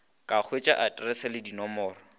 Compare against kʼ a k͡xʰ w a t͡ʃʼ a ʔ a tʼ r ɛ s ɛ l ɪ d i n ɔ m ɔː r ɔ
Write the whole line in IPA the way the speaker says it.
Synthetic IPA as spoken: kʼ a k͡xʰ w e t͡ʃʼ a ʔ a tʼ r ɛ s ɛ l ɪ d i n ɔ m ɔː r ɔ